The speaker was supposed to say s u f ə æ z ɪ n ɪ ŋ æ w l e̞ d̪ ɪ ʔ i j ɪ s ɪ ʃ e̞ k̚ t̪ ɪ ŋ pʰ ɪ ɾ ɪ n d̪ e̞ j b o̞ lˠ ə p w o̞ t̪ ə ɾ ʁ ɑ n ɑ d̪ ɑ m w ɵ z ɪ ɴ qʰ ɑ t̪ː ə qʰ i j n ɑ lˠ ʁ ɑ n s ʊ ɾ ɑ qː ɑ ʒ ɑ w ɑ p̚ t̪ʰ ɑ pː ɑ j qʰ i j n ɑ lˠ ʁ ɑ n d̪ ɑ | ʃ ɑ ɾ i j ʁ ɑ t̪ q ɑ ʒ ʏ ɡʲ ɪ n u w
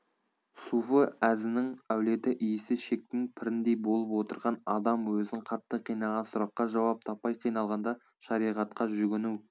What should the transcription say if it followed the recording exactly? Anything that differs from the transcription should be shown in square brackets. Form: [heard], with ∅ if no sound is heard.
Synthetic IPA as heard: s u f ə æ z ɪ n ɪ ŋ æ w l e̞ [t̪] ɪ ʔ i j ɪ s ɪ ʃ e̞ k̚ t̪ ɪ ŋ pʰ ɪ ɾ ɪ n d̪ e̞ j b o̞ lˠ ə p w o̞ t̪ ə ɾ ʁ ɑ n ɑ d̪ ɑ m w ɵ z ɪ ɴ qʰ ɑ t̪ː ə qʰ i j n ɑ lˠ ʁ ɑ n s ʊ ɾ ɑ qː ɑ ʒ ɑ w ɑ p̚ t̪ʰ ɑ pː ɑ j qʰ i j n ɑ lˠ ʁ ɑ n d̪ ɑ | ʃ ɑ ɾ i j ʁ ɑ t̪ q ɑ ʒ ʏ ɡʲ ɪ n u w